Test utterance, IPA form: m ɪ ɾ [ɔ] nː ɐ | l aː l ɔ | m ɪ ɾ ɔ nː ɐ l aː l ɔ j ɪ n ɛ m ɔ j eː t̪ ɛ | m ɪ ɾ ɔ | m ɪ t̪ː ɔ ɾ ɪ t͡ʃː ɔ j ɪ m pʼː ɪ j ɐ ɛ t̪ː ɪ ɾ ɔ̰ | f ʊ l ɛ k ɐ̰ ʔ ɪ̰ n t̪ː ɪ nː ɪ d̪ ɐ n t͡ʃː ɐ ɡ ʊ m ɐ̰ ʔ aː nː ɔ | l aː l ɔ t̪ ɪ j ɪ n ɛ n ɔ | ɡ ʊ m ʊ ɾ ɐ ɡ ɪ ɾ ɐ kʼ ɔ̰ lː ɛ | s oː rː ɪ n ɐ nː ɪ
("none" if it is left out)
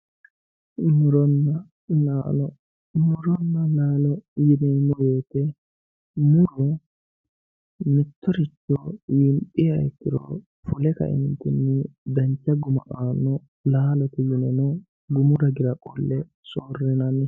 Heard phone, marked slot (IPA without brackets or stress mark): ɔ